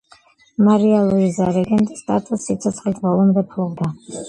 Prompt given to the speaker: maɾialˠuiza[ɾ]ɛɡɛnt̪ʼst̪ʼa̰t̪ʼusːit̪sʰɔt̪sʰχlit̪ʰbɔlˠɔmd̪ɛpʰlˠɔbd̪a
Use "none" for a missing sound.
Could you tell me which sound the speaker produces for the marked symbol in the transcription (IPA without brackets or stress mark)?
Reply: ɾ